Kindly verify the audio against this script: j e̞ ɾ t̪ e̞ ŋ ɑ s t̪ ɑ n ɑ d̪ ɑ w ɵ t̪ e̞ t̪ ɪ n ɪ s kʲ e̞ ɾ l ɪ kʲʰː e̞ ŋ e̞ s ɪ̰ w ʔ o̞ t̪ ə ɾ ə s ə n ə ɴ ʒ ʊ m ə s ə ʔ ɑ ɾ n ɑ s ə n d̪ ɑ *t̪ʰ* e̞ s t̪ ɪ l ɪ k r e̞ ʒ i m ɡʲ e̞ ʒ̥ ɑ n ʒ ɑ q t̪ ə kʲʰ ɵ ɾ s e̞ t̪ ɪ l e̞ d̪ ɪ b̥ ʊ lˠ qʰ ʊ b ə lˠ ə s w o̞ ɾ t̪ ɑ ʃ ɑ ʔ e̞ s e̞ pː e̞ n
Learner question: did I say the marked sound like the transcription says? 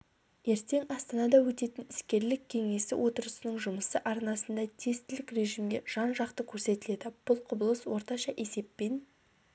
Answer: yes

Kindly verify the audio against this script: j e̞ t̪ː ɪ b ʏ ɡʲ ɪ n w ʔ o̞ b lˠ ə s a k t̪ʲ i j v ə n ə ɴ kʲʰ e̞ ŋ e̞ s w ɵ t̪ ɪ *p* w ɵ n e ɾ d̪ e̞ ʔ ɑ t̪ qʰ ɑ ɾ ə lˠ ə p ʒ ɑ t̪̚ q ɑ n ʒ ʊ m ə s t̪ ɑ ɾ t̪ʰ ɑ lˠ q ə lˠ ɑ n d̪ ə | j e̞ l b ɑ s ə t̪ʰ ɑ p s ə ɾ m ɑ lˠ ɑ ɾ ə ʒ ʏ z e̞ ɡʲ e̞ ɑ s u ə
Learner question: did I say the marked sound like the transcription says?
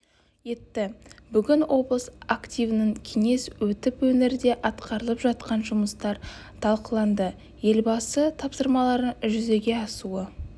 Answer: yes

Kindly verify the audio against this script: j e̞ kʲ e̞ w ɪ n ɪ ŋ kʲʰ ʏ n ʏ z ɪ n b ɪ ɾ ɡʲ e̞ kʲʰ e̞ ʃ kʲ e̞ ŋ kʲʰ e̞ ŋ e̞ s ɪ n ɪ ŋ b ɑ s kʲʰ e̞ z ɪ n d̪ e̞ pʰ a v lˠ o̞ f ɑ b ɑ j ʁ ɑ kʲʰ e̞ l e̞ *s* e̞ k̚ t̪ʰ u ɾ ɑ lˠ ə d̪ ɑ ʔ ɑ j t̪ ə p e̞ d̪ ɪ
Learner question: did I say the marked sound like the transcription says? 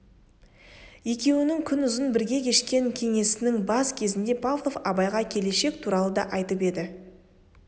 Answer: no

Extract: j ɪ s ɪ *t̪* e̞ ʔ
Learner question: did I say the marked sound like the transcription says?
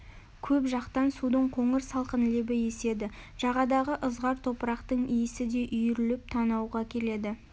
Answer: no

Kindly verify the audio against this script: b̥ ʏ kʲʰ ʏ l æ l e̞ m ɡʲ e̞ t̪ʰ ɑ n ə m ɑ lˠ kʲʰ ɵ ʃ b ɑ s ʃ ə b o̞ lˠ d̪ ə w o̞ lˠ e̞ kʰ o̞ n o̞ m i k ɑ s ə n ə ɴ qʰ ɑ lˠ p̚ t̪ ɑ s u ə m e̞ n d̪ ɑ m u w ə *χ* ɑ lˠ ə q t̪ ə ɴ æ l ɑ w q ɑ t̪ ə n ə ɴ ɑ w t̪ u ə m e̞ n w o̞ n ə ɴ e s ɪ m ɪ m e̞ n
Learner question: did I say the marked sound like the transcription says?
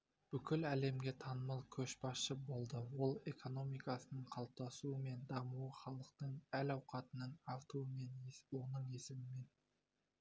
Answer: yes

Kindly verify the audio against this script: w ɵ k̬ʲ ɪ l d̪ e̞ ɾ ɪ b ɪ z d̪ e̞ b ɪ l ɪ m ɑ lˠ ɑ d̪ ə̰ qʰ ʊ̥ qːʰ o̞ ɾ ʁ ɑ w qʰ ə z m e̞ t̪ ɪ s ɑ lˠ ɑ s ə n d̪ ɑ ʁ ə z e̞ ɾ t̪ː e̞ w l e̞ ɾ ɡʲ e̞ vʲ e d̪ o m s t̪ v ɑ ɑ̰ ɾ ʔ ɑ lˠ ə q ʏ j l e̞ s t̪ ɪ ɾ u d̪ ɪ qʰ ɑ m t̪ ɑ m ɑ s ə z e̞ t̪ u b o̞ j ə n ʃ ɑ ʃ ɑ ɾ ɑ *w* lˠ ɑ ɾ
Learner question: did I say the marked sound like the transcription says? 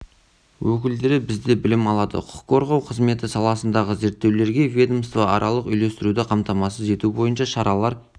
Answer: no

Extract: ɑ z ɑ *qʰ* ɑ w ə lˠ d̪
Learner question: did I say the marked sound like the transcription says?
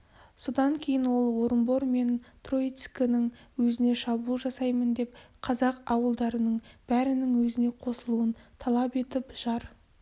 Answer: no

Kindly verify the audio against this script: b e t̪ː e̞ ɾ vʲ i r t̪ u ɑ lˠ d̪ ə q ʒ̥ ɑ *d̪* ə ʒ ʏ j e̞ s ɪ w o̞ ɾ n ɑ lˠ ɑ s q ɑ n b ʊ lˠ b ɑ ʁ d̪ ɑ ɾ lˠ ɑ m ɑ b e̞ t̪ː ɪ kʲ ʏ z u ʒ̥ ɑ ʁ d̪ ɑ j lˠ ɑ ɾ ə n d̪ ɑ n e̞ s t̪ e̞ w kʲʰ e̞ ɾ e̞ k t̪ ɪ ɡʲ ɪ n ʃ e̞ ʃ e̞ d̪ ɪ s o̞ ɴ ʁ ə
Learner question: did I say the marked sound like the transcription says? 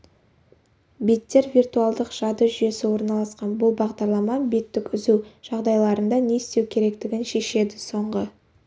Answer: yes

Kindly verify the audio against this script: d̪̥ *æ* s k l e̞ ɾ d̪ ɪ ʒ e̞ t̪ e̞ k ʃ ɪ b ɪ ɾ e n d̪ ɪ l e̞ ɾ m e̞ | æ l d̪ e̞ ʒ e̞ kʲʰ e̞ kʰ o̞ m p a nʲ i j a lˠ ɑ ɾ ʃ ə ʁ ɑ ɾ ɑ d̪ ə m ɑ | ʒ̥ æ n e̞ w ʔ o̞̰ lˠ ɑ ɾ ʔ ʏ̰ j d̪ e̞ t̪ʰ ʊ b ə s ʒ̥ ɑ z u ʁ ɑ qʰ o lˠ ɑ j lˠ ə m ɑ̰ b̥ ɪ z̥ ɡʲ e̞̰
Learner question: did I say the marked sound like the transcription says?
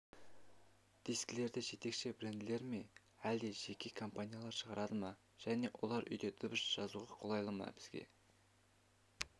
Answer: no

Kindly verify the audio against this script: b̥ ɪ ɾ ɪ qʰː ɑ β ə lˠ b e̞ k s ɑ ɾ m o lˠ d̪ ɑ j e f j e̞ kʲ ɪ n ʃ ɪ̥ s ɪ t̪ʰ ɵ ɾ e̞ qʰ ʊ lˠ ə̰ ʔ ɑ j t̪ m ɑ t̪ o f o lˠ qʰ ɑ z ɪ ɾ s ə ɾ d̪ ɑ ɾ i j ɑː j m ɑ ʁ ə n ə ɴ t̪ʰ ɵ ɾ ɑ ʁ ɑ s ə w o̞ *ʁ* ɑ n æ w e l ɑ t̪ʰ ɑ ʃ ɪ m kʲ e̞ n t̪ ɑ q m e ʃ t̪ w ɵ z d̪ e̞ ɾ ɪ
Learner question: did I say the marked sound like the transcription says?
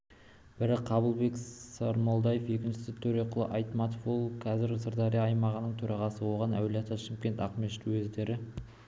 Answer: yes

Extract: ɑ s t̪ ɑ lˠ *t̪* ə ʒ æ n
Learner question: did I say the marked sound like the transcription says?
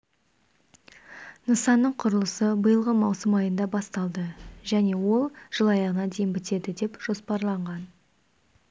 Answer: no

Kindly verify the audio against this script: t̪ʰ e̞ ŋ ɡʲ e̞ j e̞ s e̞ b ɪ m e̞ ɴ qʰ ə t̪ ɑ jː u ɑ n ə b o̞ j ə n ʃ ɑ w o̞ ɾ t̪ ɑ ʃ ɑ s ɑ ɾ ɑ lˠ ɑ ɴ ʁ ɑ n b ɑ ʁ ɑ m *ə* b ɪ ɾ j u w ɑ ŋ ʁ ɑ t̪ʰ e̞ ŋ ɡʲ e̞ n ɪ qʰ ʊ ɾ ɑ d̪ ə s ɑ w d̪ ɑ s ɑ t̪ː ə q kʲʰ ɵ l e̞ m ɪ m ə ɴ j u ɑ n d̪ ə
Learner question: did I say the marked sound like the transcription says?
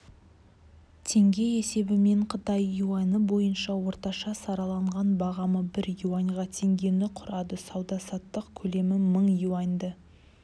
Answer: yes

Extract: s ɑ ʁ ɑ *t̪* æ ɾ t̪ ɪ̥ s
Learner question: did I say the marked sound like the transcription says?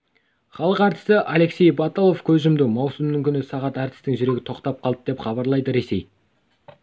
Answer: yes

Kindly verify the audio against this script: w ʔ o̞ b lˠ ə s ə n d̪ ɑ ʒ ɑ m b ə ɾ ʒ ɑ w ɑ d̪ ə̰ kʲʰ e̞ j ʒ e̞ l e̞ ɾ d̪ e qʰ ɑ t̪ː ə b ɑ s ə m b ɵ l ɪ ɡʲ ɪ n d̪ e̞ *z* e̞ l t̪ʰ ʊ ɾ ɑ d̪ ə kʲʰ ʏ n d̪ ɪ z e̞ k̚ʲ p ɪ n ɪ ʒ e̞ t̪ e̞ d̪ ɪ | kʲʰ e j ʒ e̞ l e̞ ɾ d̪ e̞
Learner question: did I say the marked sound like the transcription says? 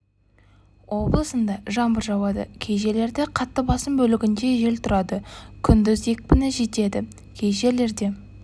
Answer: no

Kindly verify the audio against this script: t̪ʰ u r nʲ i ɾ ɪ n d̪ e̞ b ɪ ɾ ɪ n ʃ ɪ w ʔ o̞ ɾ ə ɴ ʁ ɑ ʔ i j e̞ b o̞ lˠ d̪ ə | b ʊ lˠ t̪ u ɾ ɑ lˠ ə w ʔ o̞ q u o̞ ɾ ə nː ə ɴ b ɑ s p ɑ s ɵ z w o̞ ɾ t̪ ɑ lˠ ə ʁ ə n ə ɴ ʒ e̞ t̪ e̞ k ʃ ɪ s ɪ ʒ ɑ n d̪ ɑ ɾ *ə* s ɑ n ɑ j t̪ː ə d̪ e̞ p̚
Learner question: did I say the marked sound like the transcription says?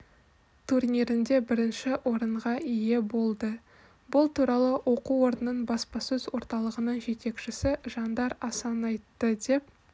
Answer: no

